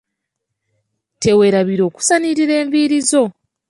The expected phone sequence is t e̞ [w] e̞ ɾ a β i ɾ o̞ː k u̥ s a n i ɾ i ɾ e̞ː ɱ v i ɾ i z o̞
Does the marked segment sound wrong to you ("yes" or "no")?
no